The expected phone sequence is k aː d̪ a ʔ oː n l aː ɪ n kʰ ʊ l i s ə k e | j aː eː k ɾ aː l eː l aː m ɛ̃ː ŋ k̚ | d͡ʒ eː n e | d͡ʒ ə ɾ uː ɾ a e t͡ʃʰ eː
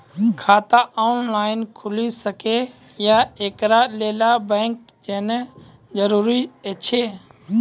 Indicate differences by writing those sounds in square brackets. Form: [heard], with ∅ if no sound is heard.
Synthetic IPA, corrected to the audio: [kʰ] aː [t̪] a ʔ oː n l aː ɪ n kʰ ʊ l i s ə k e | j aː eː k ɾ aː l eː l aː [b] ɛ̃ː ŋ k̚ | d͡ʒ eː n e | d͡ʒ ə ɾ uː ɾ [i] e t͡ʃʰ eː